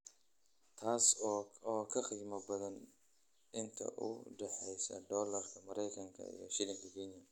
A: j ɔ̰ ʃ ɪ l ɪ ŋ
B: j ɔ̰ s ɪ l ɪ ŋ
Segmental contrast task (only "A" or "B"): A